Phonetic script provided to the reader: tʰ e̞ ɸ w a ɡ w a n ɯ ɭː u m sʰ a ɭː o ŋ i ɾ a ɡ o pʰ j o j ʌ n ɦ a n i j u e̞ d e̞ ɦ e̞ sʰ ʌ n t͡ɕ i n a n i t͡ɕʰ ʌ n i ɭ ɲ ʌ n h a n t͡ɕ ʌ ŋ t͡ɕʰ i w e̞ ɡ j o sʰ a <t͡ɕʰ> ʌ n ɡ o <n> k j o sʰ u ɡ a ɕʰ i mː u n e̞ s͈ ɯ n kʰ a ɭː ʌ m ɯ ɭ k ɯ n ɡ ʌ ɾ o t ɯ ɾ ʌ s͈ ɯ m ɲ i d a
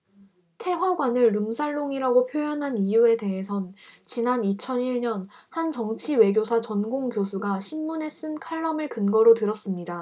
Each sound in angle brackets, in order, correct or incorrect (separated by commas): incorrect, incorrect